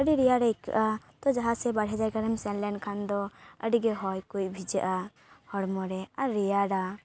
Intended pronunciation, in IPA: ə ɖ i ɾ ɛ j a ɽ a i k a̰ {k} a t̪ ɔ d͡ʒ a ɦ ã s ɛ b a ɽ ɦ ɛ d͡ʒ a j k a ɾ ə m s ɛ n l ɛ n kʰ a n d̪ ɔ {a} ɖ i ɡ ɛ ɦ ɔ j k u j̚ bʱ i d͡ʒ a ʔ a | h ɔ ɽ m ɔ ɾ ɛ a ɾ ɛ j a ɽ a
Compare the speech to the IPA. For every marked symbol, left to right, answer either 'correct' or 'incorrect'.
incorrect, incorrect

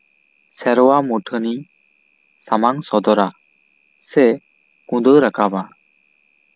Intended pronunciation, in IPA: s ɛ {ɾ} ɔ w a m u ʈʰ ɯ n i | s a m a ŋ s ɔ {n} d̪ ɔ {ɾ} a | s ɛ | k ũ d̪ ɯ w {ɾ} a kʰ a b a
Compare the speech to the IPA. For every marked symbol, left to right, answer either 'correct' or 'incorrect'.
correct, incorrect, correct, correct

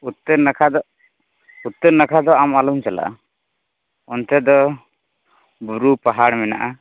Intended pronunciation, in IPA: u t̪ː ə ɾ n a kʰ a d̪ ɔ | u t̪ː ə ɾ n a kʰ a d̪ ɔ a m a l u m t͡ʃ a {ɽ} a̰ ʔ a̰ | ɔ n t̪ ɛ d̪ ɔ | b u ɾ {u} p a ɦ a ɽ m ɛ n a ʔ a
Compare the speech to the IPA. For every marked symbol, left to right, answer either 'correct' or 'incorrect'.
incorrect, correct

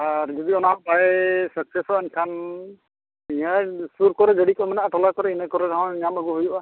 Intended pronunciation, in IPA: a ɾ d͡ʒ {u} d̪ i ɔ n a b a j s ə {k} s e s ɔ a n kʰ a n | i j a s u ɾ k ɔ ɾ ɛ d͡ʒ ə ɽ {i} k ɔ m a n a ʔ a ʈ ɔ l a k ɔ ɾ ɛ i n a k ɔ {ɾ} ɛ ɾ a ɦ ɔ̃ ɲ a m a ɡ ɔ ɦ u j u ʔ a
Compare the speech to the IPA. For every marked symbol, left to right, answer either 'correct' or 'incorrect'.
incorrect, correct, correct, correct

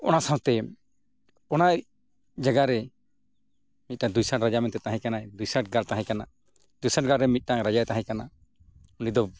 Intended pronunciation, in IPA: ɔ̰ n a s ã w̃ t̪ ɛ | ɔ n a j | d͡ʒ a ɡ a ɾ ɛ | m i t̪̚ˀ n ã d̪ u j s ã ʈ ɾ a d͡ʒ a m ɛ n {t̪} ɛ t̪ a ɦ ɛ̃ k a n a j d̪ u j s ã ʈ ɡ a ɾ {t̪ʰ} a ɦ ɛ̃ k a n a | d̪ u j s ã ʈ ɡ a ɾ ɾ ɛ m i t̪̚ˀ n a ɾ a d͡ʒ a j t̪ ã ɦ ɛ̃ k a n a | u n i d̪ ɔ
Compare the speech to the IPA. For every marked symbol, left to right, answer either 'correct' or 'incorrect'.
correct, incorrect

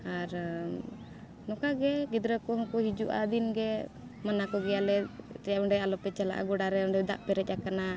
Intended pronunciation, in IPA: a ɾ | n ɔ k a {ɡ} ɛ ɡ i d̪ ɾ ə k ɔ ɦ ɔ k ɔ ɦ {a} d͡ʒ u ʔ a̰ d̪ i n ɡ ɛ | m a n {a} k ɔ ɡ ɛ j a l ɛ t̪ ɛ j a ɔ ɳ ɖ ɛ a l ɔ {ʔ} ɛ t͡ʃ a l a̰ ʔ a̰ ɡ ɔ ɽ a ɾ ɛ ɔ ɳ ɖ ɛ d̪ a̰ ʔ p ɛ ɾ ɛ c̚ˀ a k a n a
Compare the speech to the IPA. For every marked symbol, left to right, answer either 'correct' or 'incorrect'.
correct, incorrect, correct, incorrect

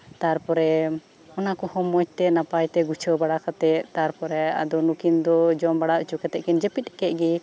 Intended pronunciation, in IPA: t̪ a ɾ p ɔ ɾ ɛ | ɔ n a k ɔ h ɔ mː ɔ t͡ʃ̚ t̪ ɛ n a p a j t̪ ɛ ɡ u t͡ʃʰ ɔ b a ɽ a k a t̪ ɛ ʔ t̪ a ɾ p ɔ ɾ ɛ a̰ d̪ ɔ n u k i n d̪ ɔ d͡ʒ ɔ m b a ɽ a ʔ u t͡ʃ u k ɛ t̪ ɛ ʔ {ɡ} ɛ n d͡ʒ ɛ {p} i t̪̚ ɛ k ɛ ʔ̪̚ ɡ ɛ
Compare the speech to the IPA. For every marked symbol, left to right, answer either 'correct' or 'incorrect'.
incorrect, correct

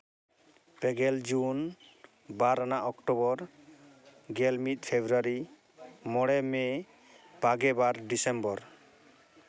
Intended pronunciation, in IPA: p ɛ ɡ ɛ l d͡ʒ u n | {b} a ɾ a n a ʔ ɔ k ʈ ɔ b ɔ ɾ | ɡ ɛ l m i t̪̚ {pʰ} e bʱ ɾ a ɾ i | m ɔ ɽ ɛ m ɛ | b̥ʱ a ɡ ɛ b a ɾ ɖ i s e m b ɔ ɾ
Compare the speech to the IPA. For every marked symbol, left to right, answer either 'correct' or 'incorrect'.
correct, correct

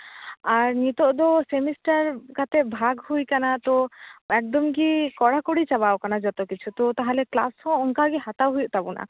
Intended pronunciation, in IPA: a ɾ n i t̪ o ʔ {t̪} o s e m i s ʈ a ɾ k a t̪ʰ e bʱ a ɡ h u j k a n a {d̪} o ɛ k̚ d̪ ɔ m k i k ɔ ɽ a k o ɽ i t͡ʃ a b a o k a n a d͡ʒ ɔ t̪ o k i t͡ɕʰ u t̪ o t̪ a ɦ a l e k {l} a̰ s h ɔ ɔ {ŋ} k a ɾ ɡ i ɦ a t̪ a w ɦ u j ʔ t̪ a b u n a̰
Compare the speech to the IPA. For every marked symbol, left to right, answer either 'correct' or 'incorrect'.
incorrect, incorrect, correct, correct

